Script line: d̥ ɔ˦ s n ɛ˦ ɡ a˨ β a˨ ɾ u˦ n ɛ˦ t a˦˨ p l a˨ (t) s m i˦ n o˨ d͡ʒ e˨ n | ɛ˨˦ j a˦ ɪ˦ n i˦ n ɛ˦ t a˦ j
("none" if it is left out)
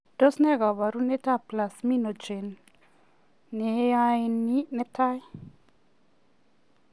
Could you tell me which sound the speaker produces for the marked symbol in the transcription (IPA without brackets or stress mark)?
none